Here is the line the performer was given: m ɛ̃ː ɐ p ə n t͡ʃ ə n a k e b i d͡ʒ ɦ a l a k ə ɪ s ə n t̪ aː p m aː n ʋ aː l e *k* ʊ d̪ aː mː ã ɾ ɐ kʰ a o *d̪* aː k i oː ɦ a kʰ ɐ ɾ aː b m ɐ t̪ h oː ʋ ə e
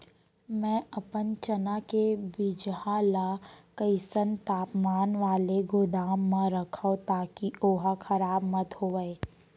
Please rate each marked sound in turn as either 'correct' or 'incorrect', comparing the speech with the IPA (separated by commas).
incorrect, incorrect